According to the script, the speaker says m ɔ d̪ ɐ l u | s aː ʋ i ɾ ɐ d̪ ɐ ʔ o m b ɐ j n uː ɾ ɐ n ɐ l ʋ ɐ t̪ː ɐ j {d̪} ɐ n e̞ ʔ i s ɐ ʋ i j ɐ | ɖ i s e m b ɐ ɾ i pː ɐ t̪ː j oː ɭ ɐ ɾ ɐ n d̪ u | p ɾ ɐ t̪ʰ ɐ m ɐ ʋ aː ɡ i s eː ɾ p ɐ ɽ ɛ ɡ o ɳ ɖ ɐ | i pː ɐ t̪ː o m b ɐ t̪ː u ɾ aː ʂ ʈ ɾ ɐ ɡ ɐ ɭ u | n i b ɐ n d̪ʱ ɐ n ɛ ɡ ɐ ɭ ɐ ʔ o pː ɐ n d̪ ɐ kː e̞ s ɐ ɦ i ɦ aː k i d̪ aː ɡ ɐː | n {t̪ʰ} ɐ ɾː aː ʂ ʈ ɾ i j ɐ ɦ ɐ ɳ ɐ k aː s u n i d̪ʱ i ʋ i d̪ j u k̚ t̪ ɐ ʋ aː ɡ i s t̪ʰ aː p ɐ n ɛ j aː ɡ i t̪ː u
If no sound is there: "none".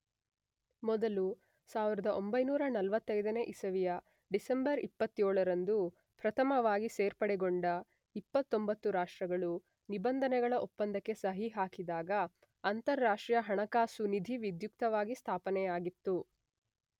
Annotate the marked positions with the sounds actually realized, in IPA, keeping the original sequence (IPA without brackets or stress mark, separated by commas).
d̪, t̪